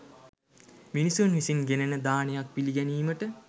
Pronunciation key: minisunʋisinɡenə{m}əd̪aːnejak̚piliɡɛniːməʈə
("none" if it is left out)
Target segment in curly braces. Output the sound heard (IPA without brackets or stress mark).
n